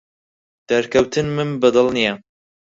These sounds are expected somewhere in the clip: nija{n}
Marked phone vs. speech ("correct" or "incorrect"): incorrect